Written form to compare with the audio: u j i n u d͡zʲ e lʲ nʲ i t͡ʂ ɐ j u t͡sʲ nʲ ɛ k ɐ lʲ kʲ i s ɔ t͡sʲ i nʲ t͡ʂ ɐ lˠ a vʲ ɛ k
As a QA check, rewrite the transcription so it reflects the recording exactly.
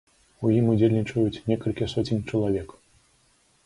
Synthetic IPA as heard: u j i m u d͡zʲ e lʲ nʲ i t͡ʂ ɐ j u t͡sʲ nʲ ɛ k ɐ lʲ kʲ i s ɔ t͡sʲ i nʲ t͡ʂ ɐ lˠ a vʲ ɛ k